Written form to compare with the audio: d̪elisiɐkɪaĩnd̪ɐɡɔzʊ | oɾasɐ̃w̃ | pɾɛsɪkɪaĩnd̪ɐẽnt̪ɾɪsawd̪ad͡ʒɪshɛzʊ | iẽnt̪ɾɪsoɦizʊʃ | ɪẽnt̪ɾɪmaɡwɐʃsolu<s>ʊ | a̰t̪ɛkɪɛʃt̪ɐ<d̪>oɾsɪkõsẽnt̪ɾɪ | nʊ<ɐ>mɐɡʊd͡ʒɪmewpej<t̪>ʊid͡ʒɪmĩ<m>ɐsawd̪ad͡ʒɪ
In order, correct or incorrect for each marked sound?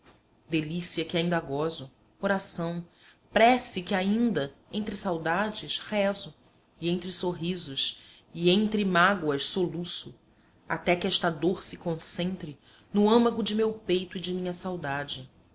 correct, correct, incorrect: ɐ̃, correct, incorrect: ɲ

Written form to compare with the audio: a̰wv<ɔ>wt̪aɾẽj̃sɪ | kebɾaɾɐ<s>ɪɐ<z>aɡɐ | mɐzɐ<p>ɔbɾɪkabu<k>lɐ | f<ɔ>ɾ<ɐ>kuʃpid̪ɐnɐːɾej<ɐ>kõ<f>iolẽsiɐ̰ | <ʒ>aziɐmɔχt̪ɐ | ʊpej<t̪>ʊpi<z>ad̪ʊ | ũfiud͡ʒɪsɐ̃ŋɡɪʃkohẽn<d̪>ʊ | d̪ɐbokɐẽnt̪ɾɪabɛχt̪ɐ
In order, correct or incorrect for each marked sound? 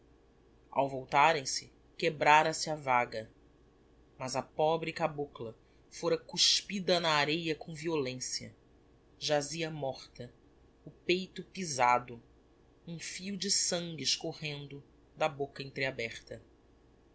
incorrect: o, correct, incorrect: v, correct, correct, incorrect: o, correct, correct, incorrect: v, correct, correct, correct, correct

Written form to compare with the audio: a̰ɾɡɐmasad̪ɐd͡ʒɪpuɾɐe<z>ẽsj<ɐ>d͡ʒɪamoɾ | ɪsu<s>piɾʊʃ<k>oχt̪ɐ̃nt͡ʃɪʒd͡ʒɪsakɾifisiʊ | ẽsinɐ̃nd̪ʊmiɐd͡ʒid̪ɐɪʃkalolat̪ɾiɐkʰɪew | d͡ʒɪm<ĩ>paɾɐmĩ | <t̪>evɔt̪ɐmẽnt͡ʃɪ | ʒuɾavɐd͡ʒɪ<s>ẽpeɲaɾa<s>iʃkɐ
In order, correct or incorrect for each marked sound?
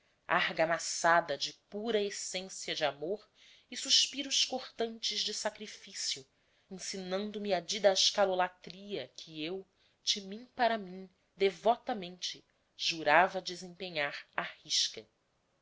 incorrect: s, correct, incorrect: ʃ, correct, correct, incorrect: d̪, incorrect: z, incorrect: h

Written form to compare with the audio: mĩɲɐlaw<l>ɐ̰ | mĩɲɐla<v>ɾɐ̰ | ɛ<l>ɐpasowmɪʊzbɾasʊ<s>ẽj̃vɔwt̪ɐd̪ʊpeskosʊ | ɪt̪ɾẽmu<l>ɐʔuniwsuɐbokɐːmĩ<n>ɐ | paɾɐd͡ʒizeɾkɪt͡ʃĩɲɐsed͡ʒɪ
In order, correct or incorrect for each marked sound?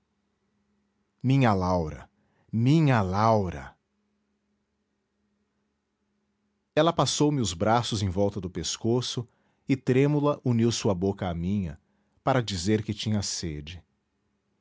incorrect: ɾ, incorrect: w, correct, incorrect: z, correct, incorrect: ɲ

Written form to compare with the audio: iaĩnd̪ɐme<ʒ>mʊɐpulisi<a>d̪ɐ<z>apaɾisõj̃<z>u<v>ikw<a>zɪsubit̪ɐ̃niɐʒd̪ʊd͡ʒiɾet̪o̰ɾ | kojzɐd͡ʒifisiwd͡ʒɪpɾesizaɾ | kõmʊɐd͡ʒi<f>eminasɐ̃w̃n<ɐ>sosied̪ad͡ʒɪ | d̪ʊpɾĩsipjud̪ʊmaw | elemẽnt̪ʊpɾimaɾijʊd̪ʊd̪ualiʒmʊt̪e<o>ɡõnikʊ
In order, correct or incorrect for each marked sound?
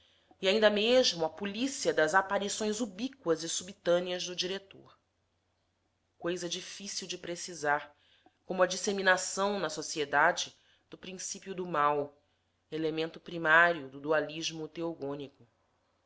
correct, incorrect: ɐ, correct, correct, incorrect: b, incorrect: ɐ, incorrect: s, correct, correct

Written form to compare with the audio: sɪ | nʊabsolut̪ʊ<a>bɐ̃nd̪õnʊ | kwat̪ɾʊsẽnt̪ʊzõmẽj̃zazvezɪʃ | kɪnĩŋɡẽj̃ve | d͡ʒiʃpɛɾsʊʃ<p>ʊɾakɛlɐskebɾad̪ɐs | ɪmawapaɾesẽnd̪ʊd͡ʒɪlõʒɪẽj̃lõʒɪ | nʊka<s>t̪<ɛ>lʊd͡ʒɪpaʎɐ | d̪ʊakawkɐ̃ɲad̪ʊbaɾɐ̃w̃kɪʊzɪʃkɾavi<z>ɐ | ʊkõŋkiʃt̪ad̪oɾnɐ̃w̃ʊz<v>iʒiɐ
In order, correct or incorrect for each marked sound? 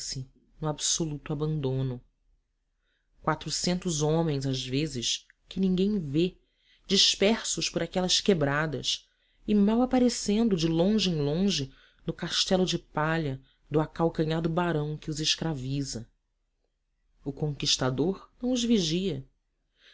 correct, correct, incorrect: ʃ, correct, correct, correct

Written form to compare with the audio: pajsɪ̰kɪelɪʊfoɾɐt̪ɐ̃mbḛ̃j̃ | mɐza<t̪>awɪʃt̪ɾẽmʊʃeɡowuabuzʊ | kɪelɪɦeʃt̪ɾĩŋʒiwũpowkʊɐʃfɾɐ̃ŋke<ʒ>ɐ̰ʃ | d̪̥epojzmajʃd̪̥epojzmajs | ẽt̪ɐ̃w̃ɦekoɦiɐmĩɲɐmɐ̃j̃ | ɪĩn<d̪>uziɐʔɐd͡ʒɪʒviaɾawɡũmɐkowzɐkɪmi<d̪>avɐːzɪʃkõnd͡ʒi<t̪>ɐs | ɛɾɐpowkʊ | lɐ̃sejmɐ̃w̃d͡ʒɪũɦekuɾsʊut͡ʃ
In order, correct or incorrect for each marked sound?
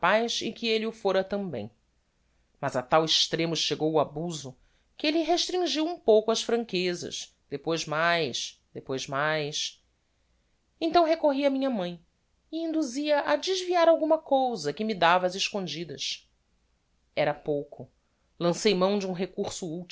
correct, incorrect: z, correct, correct, incorrect: d̪

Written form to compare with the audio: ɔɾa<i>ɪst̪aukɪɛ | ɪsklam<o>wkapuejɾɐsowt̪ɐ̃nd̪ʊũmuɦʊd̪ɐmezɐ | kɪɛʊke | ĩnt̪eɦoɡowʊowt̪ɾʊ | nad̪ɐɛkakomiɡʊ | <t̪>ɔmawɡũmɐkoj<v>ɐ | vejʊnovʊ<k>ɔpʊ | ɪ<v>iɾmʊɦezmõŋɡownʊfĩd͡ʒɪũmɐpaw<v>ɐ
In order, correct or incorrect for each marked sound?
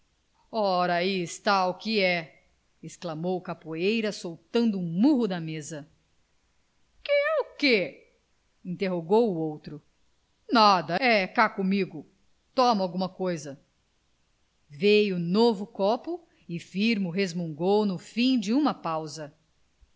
correct, correct, correct, incorrect: z, correct, incorrect: f, incorrect: z

